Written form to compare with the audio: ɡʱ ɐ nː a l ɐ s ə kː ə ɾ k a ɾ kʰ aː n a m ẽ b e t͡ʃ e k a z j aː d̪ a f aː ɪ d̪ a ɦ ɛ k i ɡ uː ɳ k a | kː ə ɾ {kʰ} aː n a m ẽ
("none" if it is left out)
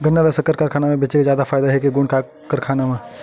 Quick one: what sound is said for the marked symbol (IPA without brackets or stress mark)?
kʰ